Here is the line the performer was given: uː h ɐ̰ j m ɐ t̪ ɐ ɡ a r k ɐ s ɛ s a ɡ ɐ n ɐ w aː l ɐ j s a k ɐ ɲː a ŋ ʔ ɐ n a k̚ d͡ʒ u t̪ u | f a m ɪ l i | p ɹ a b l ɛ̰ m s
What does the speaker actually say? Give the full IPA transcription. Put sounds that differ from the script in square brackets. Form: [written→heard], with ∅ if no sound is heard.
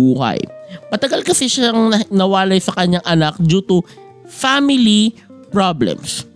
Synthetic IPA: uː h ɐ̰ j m ɐ t̪ ɐ ɡ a [r→l] k ɐ s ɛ [s→ʃ] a [ɡ→ŋ] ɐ n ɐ w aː l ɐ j s [a→ɐ] k ɐ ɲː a ŋ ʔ ɐ n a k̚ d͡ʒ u t̪ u | f a m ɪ l i | p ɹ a b l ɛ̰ m s